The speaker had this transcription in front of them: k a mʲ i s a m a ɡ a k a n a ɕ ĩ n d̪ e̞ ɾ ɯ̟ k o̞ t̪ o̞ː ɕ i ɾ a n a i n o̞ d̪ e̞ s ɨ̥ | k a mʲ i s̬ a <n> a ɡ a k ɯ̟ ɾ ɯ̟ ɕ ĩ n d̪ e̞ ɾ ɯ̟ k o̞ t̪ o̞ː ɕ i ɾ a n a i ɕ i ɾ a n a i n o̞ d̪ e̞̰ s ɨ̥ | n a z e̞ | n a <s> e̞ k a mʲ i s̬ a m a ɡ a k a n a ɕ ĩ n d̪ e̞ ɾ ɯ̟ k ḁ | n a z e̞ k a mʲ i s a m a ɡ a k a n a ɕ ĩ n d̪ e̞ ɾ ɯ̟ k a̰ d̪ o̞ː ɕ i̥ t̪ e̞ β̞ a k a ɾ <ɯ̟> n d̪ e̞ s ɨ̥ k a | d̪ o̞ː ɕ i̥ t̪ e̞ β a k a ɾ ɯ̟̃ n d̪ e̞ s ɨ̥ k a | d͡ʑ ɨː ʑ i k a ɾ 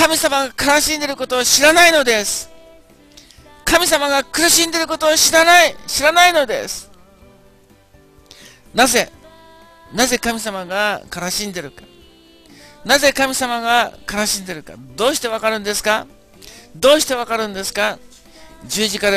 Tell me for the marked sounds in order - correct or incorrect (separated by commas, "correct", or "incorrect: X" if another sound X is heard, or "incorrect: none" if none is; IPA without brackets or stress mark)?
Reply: incorrect: m, incorrect: z, incorrect: ɯ̟̃